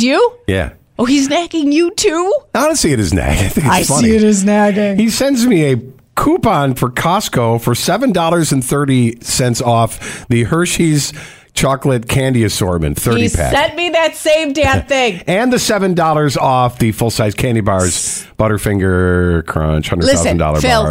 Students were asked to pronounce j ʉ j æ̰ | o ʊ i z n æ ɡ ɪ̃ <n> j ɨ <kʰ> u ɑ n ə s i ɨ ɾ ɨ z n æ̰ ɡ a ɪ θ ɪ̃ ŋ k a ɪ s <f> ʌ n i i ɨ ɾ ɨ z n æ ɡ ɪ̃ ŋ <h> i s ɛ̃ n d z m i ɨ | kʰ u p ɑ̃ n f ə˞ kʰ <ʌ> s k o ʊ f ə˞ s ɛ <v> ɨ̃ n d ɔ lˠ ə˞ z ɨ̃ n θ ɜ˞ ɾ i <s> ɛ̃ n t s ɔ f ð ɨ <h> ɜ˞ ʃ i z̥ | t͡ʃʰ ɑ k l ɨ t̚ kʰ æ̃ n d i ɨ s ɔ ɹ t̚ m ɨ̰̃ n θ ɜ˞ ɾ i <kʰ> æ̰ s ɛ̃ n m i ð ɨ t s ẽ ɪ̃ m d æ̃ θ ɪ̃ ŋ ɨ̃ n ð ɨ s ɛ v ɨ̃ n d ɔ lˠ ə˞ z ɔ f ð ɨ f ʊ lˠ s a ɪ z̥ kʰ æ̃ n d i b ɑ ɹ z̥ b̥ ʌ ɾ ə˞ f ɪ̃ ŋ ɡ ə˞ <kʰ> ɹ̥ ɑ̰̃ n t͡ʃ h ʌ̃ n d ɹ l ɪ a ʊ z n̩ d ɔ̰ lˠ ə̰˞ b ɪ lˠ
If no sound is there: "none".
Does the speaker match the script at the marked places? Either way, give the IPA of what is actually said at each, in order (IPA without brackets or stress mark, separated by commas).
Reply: ŋ, tʰ, f, h, ɑ, v, s, h, pʰ, kʰ